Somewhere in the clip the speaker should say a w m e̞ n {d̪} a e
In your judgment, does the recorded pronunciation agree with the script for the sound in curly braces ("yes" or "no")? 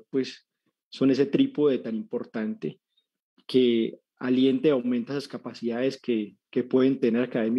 no